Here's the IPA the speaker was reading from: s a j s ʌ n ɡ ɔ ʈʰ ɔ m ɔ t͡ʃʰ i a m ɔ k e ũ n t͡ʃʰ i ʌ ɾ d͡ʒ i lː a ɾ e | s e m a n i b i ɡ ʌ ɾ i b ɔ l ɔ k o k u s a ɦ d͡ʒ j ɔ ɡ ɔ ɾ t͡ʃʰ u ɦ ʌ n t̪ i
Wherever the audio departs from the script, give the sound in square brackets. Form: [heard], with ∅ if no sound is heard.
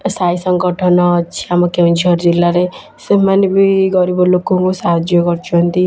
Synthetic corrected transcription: s a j s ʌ [ŋ] ɡ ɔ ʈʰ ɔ [n] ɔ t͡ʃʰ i a m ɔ k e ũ n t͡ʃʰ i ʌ ɾ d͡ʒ i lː a ɾ e | s e m a n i b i ɡ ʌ ɾ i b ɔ l [o] k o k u s a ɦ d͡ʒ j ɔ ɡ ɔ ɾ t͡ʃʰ u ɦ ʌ n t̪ i